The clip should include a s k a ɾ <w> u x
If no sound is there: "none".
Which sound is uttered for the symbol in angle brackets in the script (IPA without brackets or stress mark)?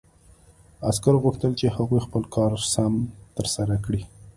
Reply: ɣ